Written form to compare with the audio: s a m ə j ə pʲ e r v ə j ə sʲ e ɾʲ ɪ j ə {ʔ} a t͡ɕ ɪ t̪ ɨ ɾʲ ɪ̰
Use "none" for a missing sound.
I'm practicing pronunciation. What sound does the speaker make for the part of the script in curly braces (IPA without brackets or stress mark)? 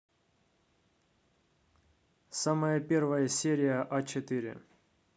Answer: ʔ